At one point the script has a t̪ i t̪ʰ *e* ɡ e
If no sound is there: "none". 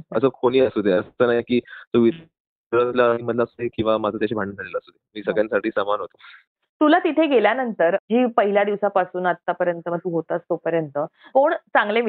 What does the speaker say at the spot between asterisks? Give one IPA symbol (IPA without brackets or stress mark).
e